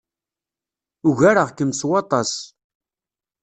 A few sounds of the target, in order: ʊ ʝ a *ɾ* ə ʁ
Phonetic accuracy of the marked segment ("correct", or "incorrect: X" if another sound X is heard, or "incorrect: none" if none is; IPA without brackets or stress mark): correct